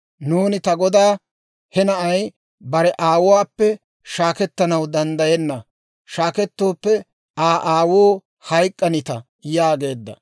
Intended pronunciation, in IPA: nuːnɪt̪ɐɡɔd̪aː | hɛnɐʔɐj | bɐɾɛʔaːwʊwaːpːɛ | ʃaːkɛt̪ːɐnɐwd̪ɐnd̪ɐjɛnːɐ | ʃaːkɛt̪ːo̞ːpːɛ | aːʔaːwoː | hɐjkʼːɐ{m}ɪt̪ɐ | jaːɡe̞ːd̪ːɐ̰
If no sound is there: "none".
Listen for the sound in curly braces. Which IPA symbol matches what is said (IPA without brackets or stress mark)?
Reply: n